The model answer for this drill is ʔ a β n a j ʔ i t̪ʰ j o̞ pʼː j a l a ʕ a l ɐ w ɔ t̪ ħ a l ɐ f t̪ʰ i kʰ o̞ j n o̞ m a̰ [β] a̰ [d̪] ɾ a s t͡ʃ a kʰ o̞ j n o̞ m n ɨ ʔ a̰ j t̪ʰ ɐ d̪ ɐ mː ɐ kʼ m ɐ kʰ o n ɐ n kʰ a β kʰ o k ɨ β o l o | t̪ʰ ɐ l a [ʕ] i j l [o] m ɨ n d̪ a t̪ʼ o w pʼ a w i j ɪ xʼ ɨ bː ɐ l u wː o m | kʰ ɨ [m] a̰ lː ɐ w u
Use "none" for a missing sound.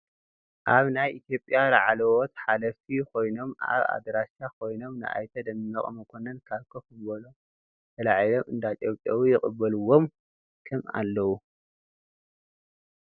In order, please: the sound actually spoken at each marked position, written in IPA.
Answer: β, d̪, ʕ, o, m

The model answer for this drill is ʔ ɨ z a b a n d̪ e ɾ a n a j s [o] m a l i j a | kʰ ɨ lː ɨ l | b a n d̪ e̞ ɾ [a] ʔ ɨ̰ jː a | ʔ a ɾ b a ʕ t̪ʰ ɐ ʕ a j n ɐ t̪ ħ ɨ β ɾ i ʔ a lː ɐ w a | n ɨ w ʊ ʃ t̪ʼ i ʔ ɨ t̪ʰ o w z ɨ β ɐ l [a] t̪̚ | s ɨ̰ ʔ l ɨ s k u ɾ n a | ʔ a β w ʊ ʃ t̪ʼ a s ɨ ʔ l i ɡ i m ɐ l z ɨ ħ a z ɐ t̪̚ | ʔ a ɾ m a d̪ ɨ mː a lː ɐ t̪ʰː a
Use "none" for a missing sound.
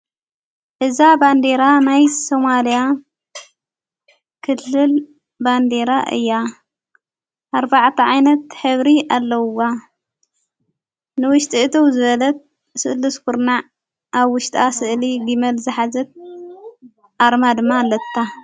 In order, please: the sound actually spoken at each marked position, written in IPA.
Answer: o, a, ɐ

